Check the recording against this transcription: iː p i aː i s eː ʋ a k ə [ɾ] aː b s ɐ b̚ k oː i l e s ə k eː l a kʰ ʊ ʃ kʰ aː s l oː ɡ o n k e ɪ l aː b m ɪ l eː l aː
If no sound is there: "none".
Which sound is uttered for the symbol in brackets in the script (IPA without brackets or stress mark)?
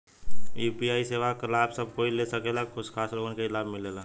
l